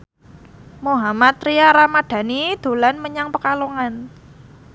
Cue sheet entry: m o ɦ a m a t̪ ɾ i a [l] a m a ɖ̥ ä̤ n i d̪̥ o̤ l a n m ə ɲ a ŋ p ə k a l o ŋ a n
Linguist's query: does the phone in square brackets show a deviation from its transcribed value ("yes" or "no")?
yes